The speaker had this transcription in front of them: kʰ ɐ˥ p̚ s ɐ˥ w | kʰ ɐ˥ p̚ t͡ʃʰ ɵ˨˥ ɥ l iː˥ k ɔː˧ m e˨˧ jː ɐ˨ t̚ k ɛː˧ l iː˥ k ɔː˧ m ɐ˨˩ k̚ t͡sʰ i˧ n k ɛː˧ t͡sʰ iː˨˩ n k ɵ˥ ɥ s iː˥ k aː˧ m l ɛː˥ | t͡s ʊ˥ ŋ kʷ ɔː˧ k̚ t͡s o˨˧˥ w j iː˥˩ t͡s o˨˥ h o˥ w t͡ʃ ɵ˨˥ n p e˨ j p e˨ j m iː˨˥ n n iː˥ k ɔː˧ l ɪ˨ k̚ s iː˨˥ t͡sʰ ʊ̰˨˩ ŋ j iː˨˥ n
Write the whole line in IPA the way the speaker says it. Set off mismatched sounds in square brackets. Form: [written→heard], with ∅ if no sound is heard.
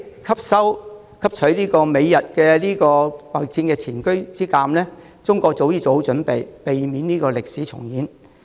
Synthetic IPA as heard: kʰ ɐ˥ p̚ s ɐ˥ w | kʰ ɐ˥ p̚ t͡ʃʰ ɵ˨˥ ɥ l iː˥ k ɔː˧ m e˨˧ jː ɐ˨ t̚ k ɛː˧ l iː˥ k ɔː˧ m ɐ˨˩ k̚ [t͡sʰ→t͡s] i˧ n k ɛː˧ t͡sʰ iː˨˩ n k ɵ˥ ɥ [s→t͡s] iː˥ k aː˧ m l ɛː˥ | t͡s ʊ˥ ŋ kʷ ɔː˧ k̚ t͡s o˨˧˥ w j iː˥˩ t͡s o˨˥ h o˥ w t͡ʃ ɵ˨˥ n p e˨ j p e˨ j m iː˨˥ n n iː˥ k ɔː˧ l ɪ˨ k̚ s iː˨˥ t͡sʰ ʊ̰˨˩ ŋ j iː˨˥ n